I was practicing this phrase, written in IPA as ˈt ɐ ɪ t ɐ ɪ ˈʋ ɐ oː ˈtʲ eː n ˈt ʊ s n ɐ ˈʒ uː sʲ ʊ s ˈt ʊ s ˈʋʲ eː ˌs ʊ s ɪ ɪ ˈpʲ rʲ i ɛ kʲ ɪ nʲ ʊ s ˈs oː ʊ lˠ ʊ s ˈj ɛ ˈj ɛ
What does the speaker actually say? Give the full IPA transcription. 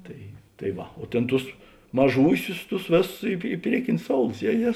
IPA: ˈt ɐ ɪ t ɐ ɪ ˈʋ ɐ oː ˈtʲ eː n ˈt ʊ s m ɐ ˈʒ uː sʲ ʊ s ˈt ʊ s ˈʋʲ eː ˌs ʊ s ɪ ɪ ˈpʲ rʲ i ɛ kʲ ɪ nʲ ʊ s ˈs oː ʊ lˠ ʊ s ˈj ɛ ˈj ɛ